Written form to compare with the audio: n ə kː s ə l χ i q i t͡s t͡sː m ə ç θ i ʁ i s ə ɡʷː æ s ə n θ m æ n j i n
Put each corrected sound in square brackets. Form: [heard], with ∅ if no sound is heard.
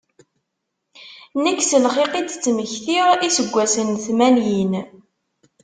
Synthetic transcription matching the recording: n ə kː s ə l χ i q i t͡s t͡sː m ə ç θ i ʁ i s ə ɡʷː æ s ə n θ m æ n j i n